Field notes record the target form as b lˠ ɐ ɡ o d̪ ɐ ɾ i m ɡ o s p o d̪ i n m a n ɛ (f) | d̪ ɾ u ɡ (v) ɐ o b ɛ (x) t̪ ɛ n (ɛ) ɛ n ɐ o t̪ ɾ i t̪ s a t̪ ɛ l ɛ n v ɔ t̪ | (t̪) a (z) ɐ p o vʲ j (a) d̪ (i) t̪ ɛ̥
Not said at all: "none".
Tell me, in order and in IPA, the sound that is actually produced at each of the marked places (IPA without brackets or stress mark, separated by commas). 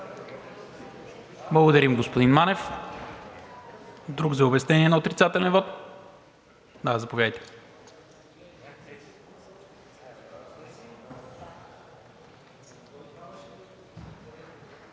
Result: f, z, s, i, d̪, z, a, j